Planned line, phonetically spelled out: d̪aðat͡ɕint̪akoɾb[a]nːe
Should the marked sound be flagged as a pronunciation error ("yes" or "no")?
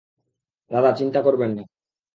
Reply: yes